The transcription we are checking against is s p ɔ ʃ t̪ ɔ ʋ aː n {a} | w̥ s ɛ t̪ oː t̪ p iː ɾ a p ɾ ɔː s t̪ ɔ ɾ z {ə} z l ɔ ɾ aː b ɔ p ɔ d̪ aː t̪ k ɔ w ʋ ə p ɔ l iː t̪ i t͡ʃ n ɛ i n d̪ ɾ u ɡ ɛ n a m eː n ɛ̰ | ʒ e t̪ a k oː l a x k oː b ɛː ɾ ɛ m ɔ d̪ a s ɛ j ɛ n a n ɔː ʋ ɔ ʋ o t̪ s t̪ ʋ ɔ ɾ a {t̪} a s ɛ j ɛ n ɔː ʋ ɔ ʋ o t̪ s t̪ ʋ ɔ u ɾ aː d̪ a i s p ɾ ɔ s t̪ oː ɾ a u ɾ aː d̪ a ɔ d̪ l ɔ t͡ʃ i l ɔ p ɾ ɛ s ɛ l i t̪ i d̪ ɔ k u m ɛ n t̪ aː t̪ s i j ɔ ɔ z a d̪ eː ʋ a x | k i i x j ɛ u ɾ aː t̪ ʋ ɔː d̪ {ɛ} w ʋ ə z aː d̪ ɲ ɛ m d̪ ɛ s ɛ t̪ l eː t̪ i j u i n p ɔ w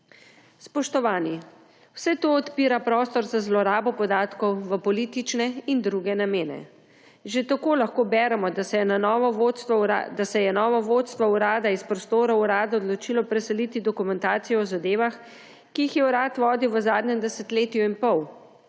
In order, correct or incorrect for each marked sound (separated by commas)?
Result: incorrect, incorrect, incorrect, incorrect